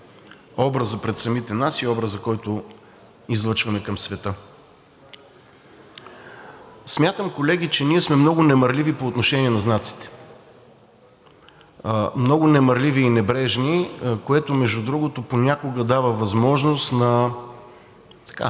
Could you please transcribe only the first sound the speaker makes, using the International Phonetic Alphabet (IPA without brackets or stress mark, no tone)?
ɔ